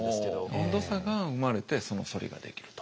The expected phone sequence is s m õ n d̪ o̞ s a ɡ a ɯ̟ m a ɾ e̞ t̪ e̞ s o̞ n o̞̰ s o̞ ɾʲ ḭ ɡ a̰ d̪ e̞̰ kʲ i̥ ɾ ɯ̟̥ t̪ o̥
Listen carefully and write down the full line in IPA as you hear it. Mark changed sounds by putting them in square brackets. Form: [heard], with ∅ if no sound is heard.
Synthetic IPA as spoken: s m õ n d̪ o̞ s a ɡ a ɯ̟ m a ɾ e̞ t̪ e̞ s o̞ n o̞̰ s o̞ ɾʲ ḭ ɡ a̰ d̪ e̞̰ kʲ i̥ ɾ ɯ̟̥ t̪ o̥